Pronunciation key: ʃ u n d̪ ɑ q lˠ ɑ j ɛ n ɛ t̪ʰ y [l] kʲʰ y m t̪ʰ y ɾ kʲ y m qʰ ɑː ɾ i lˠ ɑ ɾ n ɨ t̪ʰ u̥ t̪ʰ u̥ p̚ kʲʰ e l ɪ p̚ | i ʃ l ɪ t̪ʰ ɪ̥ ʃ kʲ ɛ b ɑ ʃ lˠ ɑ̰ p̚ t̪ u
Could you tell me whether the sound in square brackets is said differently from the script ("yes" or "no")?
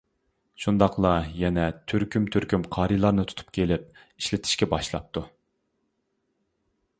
yes